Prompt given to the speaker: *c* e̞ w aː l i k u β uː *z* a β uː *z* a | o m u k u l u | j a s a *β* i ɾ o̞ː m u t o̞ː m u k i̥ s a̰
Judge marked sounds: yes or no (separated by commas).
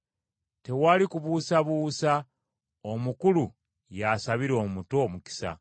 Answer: no, no, no, yes